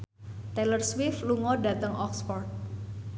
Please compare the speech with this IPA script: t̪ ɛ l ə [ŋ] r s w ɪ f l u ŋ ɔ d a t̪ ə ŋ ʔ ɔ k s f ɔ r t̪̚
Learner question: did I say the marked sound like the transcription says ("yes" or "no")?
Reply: no